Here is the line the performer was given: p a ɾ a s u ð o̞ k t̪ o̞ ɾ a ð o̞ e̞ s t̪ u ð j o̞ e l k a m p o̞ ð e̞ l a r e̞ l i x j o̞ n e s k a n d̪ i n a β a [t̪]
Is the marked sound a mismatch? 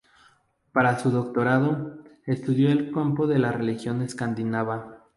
yes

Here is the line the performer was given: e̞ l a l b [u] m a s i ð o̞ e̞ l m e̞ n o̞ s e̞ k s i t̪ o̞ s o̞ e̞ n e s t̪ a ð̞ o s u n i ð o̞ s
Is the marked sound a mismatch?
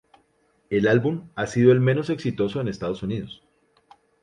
no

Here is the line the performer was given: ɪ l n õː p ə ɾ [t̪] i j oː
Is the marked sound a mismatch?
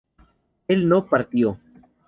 no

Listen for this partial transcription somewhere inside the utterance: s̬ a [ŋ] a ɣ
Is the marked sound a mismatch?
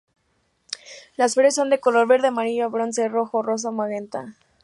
yes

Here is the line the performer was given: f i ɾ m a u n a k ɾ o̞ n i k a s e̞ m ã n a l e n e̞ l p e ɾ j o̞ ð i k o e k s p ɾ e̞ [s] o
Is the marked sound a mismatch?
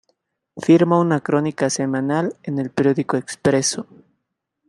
no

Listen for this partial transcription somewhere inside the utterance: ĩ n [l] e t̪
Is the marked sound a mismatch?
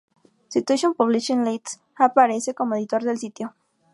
no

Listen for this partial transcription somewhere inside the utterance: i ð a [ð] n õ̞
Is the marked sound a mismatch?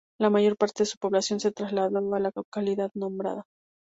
no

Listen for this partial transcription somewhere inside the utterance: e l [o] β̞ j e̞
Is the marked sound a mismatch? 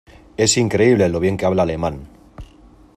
no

